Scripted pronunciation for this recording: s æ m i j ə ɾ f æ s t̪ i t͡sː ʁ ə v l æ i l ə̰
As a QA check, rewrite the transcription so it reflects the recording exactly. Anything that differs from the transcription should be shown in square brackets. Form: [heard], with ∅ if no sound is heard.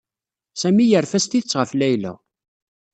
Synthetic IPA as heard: s æ m i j ə ɾ f æ s t̪ i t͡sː ʁ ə [f] l æ [j] l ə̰